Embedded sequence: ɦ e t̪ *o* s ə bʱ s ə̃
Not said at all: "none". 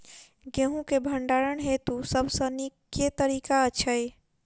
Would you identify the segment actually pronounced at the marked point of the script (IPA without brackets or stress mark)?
u